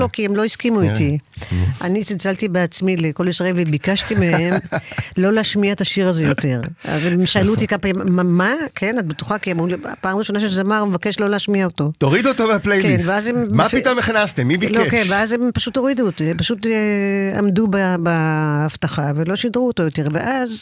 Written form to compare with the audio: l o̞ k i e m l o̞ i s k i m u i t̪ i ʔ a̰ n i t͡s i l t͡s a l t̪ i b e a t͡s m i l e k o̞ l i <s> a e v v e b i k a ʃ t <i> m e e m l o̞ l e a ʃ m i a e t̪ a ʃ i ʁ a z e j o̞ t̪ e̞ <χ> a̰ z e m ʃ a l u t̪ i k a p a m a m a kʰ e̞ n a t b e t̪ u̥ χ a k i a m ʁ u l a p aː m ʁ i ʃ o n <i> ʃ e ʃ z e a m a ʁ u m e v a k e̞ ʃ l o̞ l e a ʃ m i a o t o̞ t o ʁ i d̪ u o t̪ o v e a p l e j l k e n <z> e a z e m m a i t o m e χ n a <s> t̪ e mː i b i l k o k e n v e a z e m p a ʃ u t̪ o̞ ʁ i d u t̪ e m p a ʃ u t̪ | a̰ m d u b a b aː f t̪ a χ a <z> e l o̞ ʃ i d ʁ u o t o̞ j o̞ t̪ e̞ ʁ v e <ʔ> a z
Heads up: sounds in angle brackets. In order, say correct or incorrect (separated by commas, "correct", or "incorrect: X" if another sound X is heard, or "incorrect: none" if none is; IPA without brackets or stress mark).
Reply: correct, correct, incorrect: ʁ, incorrect: a, incorrect: v, correct, incorrect: v, correct